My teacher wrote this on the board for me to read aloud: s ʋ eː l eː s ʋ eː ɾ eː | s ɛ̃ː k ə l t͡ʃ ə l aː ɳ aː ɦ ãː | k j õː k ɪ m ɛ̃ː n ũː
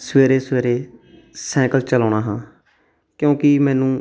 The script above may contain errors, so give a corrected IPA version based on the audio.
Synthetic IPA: s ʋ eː ɾ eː s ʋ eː ɾ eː | s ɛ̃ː k ə l t͡ʃ ə l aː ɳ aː ɦ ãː | k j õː k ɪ m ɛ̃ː n ũː